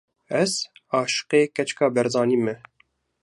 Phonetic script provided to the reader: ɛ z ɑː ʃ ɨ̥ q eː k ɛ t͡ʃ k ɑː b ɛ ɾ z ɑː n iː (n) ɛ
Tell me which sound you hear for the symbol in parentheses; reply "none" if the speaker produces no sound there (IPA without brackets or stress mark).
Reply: m